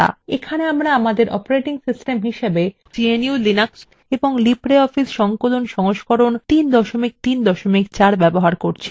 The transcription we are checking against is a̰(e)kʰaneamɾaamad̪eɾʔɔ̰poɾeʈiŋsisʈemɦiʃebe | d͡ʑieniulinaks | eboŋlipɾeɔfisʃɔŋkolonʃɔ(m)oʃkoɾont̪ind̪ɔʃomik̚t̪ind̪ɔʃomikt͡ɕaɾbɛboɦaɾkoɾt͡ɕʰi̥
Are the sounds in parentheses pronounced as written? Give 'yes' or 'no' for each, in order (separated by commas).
yes, no